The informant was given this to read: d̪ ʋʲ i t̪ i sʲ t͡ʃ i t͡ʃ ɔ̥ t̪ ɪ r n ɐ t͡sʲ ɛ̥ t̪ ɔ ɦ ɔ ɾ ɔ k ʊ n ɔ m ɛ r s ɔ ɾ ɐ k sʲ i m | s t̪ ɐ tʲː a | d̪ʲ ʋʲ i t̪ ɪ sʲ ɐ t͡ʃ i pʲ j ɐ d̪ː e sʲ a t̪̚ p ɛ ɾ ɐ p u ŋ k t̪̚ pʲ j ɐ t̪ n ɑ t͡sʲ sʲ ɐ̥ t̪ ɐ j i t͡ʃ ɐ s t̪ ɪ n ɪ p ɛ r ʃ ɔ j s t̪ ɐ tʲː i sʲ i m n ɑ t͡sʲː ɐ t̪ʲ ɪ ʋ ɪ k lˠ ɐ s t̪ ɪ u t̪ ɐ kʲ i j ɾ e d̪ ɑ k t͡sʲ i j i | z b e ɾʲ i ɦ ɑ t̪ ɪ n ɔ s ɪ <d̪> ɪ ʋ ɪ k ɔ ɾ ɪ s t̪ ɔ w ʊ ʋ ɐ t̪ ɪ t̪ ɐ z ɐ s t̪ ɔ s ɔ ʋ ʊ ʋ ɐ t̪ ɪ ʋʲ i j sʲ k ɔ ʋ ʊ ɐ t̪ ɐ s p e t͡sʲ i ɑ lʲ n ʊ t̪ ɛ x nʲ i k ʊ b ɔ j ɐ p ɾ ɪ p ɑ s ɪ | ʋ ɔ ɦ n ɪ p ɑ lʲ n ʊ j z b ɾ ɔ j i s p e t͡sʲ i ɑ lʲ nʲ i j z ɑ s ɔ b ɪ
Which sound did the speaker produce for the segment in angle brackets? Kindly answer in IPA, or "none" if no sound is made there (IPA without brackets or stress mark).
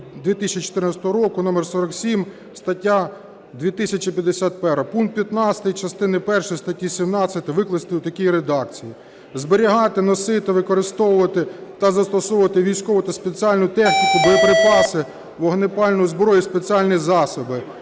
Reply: t̪